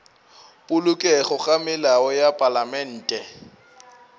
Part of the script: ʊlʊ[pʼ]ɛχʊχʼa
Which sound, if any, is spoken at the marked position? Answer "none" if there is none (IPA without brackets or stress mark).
kʼ